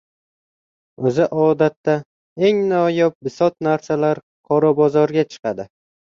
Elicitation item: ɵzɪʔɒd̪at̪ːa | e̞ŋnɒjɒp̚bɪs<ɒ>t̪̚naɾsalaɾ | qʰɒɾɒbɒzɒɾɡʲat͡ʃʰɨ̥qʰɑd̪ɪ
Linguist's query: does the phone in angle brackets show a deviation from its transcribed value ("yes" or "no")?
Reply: no